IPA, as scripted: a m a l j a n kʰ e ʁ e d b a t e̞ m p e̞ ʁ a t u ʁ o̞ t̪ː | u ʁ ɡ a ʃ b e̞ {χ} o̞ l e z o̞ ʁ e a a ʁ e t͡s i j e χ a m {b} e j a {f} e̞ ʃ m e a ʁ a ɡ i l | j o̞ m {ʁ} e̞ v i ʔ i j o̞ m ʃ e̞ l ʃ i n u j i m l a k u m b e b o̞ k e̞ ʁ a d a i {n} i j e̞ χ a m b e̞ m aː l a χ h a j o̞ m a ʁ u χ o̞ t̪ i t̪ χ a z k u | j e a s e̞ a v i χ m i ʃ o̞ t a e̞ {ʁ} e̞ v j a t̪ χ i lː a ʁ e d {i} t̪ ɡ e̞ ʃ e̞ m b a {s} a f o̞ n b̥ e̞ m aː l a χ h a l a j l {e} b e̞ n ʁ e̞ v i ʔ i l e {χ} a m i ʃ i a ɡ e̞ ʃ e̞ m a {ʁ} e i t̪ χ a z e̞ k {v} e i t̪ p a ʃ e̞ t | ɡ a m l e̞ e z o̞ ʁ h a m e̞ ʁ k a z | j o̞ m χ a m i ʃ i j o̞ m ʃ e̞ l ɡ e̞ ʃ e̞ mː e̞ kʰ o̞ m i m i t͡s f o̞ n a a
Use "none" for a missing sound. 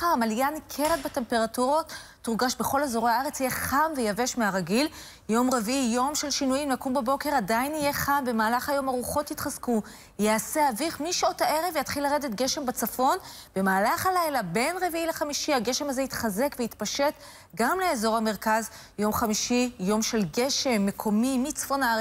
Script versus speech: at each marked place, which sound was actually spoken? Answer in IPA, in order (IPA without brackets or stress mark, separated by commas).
χ, v, v, ʁ, n, ʁ, e, t͡s, a, χ, z, v